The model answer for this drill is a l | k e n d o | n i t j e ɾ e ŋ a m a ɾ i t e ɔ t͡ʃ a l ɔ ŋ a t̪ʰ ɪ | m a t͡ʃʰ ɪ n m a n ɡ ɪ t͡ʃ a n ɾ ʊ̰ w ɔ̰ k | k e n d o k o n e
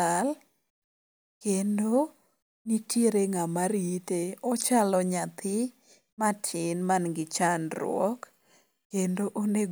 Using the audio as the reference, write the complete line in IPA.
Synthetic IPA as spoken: a l | k e n d o | n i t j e ɾ e ŋ a m a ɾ i t e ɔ t͡ʃ a l ɔ ɲ a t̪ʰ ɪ | m a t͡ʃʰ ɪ n m a n ɡ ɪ t͡ʃ a n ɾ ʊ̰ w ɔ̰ k | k e n d o ʔ o n e